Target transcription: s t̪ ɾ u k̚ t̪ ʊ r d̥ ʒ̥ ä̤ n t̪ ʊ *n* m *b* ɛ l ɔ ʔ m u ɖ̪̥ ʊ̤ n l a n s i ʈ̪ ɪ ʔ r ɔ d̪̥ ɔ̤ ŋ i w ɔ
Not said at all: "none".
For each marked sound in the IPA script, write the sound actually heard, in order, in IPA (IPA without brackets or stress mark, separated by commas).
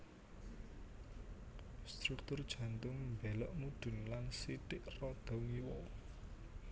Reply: ŋ, b